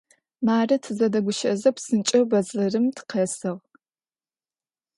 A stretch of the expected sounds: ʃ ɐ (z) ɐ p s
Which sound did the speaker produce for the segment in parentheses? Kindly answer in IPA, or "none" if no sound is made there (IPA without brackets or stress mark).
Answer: z